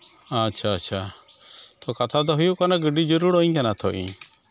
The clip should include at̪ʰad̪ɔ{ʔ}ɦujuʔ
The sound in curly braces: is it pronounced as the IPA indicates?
no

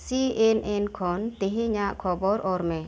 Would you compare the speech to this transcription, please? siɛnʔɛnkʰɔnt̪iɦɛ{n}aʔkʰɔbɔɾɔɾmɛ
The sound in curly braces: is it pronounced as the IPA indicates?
no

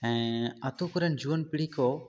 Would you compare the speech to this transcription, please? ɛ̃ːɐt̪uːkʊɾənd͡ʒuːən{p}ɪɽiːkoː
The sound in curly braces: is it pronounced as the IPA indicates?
yes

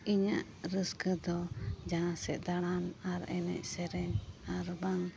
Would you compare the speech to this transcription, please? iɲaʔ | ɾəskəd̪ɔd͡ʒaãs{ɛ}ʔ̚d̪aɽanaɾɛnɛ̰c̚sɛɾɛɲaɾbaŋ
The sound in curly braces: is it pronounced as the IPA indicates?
yes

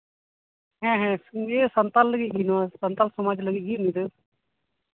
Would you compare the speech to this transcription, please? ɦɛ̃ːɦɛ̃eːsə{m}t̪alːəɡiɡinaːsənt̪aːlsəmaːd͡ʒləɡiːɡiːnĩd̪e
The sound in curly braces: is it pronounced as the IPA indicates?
no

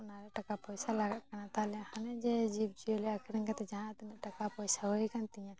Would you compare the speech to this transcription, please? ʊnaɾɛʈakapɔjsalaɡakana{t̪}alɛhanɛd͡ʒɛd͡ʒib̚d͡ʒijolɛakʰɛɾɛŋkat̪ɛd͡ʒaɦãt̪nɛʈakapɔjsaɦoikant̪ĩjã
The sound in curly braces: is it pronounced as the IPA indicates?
yes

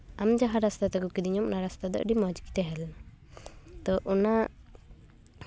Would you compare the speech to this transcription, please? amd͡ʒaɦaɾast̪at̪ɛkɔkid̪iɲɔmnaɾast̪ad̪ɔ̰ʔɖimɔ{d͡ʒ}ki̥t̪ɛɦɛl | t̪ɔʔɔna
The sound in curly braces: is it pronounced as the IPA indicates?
yes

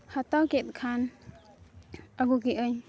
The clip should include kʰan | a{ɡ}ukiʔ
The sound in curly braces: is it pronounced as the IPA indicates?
yes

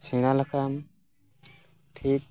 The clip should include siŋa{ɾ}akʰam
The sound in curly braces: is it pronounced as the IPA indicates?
no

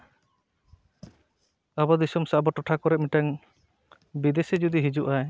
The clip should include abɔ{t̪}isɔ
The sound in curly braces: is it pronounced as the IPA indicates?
no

